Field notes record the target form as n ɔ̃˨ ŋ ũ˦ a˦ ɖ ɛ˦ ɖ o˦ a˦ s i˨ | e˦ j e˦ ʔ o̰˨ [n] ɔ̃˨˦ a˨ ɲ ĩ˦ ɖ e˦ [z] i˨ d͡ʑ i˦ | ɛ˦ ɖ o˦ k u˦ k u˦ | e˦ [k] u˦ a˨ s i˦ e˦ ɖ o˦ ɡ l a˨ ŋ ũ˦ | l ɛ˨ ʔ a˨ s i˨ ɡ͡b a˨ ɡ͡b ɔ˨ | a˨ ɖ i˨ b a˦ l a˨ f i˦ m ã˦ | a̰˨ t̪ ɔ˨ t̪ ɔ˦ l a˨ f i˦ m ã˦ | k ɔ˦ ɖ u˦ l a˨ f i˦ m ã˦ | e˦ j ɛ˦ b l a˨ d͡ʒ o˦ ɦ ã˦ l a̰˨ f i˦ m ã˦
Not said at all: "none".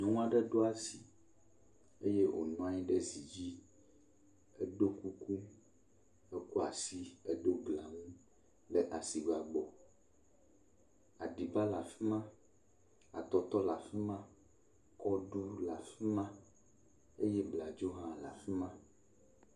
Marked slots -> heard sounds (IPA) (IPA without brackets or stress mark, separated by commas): n, z, k